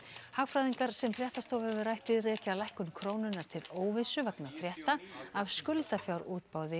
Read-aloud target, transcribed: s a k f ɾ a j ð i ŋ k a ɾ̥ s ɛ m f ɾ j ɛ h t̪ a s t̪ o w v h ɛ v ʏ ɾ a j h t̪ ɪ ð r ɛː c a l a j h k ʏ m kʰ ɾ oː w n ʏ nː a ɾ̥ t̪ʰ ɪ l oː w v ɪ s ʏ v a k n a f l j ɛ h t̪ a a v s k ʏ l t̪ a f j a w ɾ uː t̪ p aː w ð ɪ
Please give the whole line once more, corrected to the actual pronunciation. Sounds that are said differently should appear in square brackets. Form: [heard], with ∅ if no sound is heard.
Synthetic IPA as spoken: [h] a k f ɾ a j ð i ŋ k a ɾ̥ s ɛ m f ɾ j ɛ h t̪ a s t̪ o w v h ɛ v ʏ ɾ a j h t̪ ɪ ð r ɛː c a l a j h k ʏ m kʰ ɾ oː w n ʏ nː a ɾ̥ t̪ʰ ɪ l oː w v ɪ s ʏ v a k n a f [ɾ] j ɛ h t̪ a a v s k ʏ l t̪ a f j a w ɾ uː t̪ p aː w ð ɪ